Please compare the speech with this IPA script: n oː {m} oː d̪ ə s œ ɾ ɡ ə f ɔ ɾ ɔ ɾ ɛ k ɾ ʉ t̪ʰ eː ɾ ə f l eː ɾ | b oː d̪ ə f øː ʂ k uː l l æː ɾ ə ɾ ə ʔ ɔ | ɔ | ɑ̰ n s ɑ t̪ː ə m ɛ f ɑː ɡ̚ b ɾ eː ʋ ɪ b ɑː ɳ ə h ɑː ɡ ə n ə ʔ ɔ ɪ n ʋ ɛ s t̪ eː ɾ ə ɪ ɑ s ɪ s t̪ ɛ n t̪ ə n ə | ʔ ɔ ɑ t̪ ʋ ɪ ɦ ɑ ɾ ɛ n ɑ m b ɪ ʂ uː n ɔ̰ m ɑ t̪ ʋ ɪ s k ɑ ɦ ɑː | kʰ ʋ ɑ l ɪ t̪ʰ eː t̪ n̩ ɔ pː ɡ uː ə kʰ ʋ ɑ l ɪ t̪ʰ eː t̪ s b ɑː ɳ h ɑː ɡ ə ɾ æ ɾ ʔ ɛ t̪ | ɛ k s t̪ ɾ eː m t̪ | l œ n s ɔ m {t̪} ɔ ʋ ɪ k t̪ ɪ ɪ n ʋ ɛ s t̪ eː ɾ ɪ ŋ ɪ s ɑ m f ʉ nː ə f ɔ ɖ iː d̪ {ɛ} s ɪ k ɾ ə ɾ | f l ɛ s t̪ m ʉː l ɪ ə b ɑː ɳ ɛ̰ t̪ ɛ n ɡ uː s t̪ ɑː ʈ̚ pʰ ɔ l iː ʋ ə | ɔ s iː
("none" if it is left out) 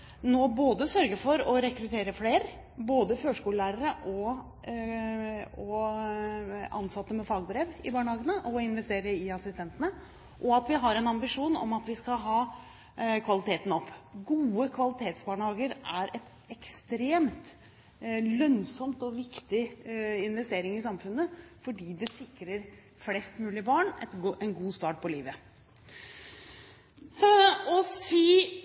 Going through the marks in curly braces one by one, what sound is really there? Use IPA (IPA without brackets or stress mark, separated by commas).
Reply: b, t̪, ɛ